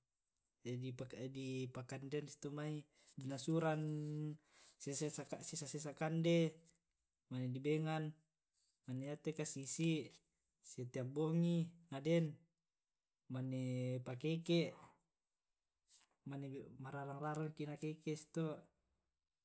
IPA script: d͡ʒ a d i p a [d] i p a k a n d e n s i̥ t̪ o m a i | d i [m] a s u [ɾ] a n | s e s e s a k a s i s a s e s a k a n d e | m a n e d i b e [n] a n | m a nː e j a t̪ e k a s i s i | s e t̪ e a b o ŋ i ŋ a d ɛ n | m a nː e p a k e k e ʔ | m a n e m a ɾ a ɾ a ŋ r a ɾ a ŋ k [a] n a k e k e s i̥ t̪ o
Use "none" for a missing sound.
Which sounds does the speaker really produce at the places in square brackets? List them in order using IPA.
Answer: d, n, ɾ, ŋ, i

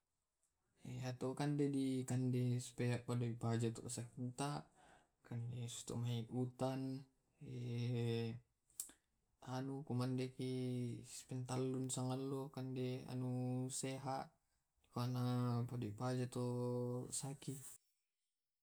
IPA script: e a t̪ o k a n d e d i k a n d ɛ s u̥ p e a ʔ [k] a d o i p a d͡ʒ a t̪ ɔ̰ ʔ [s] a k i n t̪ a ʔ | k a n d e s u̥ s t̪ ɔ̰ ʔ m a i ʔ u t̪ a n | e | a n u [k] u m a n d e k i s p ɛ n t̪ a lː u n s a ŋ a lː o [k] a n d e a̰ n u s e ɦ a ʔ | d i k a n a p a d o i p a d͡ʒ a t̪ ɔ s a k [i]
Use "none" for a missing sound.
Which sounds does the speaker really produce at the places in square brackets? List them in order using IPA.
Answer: p, s, k, k, i

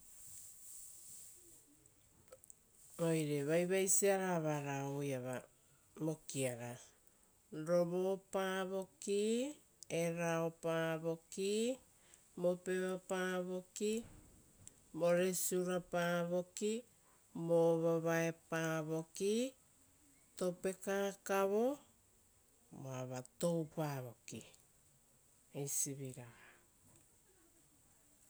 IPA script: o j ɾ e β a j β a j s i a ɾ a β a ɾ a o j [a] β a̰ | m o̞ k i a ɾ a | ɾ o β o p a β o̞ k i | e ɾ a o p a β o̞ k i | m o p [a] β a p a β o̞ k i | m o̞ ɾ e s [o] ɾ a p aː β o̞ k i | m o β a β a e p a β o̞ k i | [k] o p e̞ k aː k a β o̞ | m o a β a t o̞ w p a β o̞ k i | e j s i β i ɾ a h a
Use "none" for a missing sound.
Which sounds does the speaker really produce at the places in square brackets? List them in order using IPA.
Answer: a, e, u, t

